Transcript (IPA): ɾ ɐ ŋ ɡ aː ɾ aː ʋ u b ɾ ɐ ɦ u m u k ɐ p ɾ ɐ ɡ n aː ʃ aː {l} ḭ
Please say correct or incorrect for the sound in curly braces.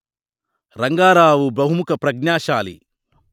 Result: correct